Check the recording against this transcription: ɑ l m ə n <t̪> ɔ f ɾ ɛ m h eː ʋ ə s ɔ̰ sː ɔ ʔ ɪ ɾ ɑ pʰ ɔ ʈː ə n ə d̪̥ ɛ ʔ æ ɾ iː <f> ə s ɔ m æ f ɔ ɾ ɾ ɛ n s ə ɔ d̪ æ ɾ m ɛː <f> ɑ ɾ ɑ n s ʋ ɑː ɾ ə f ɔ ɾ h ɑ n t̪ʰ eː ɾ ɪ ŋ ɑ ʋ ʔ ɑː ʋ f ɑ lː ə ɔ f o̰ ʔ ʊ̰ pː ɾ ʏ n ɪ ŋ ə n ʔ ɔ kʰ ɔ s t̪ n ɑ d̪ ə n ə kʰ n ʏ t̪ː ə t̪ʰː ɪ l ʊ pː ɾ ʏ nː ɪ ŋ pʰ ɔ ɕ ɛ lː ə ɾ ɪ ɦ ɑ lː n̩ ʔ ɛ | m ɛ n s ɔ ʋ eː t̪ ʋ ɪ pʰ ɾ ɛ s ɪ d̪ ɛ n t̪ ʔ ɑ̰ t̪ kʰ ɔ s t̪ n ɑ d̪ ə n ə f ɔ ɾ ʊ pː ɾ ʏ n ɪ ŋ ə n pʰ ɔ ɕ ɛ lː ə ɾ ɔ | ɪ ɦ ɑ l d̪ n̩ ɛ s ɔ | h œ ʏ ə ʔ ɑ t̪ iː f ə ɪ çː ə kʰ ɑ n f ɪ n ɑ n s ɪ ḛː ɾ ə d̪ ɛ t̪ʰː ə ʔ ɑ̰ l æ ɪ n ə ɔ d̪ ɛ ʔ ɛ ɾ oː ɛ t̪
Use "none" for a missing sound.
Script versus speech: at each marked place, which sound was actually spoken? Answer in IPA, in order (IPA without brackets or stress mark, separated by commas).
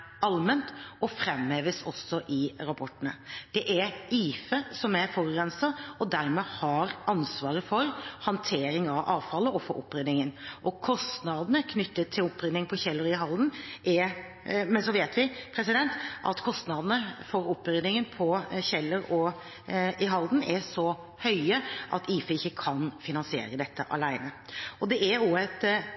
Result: t̪, f, h